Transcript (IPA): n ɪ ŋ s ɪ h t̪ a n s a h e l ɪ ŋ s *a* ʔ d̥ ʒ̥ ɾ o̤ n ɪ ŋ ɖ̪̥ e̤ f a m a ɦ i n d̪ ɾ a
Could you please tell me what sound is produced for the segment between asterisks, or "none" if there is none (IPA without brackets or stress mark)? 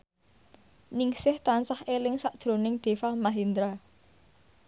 a